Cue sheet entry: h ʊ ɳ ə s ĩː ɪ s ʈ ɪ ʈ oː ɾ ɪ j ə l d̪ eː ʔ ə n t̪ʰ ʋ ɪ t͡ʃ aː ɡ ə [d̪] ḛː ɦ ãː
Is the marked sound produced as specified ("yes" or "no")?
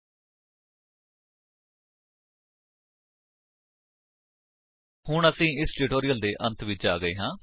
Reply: no